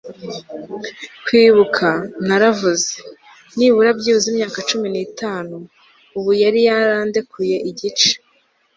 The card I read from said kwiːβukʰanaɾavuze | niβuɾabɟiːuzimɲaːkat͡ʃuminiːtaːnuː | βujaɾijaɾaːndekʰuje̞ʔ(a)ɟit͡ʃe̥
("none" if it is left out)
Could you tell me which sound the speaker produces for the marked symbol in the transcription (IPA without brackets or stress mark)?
i